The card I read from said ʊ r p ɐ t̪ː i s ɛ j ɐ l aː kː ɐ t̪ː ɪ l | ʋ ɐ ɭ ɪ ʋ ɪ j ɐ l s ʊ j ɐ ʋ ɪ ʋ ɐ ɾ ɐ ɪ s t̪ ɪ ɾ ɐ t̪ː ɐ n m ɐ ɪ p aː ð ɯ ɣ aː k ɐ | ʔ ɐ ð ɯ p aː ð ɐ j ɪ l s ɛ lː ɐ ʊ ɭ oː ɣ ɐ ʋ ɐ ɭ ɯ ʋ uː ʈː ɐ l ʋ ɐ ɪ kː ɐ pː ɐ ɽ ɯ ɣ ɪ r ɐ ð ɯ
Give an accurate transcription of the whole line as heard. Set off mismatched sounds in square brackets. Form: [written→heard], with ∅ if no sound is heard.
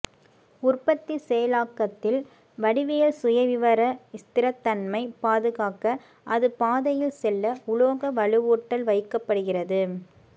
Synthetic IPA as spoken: ʊ r p ɐ t̪ː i s ɛ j ɐ l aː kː ɐ t̪ː ɪ l | ʋ ɐ [ɭ→ɽ] ɪ ʋ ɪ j ɐ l s ʊ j ɐ ʋ ɪ ʋ ɐ ɾ ɐ ɪ s t̪ ɪ ɾ ɐ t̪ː ɐ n m ɐ ɪ p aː ð ɯ ɣ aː k ɐ | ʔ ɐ ð ɯ p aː ð ɐ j ɪ l s ɛ lː ɐ ʊ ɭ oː ɣ ɐ ʋ ɐ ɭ ɯ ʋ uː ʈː ɐ l ʋ ɐ ɪ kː ɐ pː ɐ ɽ ɯ ɣ ɪ r ɐ ð ɯ